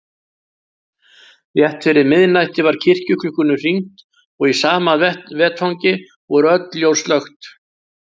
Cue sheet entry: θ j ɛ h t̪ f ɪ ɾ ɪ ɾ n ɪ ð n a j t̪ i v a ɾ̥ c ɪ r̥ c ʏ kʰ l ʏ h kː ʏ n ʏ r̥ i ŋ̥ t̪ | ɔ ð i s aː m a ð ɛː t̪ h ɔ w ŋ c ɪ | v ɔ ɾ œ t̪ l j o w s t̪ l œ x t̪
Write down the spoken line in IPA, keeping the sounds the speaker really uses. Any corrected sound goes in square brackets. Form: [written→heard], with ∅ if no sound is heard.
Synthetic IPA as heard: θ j ɛ h t̪ f ɪ ɾ ɪ ɾ [n→m] ɪ ð n a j t̪ [i→ɪ] v a ɾ̥ [c→cʰ] ɪ r̥ c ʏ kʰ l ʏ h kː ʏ n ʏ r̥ i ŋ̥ t̪ | ɔ [ð→ɣ] i s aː m a [ð→v] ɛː t̪ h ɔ w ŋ c ɪ | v ɔ ɾ œ t̪ l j o w s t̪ l œ x t̪